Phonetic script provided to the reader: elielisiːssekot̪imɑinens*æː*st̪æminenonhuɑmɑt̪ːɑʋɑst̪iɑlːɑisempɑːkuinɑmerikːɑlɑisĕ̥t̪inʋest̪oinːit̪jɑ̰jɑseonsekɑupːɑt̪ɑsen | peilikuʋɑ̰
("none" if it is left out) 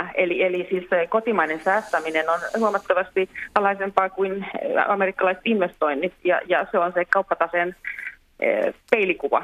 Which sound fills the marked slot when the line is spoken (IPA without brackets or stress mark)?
æː